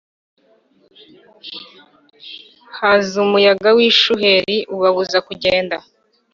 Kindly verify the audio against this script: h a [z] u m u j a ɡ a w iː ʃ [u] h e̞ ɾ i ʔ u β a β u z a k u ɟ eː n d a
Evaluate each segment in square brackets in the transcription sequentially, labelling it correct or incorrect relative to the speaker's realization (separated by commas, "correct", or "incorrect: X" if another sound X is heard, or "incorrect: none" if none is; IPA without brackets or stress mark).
correct, correct